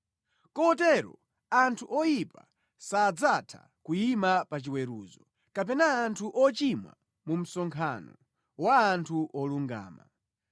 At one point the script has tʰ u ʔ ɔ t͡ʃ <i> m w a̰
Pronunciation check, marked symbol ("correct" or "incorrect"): correct